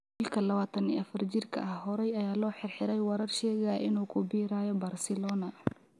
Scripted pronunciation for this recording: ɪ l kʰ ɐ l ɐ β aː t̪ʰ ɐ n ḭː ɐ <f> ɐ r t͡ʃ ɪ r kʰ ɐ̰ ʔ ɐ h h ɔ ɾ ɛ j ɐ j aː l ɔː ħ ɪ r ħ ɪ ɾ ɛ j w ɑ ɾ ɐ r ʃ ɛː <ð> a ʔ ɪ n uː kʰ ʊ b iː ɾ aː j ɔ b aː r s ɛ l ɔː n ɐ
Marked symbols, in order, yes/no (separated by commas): yes, no